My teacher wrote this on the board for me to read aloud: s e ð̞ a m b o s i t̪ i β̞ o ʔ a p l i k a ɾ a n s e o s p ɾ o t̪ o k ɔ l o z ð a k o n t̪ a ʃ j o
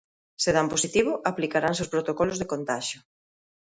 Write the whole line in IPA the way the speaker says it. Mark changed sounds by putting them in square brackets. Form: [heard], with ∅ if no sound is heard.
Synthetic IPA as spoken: s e ð̞ a m [p] o s i t̪ i β̞ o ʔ a p l i k a ɾ a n s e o s p ɾ o t̪ o k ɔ l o z ð [e] k o n t̪ a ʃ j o